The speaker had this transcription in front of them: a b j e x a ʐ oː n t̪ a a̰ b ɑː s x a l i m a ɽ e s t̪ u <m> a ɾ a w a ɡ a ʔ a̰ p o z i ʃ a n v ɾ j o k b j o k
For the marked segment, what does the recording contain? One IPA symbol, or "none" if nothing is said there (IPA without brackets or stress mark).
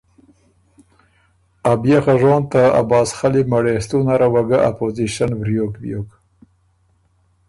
n